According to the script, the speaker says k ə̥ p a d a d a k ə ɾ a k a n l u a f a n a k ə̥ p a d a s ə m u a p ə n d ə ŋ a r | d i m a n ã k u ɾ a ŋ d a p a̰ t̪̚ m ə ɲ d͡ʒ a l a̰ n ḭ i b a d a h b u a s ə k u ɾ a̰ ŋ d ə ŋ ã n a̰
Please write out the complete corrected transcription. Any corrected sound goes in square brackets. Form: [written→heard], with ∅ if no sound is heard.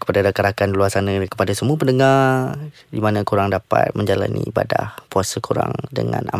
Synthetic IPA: k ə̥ p a d a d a k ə ɾ a k a n l u a [f→s] a n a k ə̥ p a d a s ə m u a p ə n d ə ŋ a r | d i m a n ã k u ɾ a ŋ d a p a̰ t̪̚ m ə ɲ d͡ʒ a l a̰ n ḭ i b a d a h [b→p] u a s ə k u ɾ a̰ ŋ d ə ŋ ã n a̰